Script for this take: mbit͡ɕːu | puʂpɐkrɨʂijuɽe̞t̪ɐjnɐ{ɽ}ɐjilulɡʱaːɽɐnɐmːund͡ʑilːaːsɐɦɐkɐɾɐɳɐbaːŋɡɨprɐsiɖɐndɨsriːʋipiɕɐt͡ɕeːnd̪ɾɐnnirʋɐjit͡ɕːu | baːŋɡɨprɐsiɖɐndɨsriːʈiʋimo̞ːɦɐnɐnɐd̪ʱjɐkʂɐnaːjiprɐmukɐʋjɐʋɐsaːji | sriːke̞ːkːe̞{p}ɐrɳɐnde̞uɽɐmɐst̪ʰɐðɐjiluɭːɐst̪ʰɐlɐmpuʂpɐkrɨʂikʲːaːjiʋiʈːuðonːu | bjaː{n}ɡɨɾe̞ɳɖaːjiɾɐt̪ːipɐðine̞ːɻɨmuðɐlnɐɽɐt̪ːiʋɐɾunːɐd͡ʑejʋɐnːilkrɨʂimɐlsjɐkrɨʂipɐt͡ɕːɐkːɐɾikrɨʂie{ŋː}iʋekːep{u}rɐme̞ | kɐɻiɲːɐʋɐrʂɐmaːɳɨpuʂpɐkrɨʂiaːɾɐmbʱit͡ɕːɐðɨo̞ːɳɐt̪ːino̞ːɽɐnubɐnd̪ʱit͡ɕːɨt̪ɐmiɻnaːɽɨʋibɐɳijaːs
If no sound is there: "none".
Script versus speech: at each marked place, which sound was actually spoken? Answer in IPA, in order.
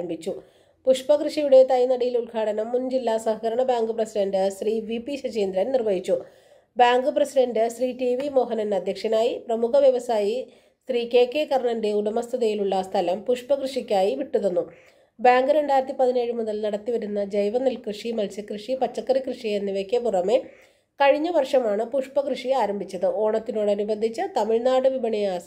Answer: ɽ, k, ŋ, nː, u

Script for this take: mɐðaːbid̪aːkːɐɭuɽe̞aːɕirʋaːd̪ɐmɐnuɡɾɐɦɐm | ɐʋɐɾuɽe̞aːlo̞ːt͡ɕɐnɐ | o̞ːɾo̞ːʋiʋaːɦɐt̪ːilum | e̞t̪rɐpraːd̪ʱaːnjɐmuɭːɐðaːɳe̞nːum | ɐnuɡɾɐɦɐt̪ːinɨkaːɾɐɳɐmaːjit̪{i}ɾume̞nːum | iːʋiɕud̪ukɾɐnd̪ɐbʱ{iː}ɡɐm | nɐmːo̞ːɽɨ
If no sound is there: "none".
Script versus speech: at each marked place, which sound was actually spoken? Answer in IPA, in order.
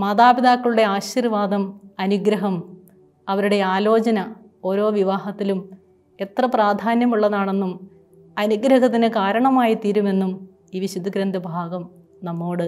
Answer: iː, aː

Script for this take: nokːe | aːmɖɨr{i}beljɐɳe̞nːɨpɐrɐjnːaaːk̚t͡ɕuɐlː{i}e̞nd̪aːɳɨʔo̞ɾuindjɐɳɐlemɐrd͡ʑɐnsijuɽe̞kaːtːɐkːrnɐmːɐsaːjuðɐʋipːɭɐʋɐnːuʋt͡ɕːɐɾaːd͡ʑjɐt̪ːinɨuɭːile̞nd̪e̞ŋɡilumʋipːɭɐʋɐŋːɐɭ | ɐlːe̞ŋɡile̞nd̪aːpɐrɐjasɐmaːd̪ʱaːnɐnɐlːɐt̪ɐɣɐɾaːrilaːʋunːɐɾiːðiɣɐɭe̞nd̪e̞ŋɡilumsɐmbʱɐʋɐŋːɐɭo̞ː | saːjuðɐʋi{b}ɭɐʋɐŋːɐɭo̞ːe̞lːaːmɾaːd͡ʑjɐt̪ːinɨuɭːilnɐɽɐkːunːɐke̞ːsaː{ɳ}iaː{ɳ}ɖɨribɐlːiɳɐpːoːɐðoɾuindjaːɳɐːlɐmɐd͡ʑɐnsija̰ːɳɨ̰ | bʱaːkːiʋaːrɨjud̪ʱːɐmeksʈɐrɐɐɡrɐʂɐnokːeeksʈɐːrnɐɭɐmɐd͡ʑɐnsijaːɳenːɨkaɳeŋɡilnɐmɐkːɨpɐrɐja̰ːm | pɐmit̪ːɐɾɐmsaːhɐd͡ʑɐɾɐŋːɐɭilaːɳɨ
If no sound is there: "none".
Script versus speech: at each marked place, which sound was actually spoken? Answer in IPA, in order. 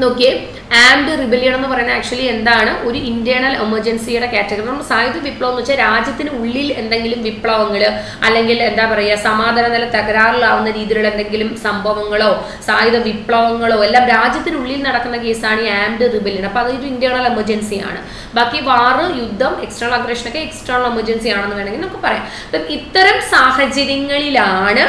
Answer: i, i, p, ɳ, m

